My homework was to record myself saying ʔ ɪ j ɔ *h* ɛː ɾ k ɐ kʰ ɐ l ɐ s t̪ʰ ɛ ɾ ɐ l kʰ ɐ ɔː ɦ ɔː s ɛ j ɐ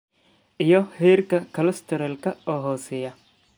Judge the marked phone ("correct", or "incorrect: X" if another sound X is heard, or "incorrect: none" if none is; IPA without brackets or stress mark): correct